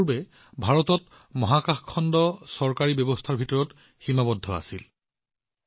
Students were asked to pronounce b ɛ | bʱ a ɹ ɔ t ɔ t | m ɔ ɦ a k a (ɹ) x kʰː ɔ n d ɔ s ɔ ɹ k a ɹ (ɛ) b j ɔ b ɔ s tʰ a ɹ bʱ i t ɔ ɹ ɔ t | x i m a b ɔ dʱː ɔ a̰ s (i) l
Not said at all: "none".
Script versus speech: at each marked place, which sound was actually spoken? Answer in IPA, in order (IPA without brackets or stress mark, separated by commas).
none, i, i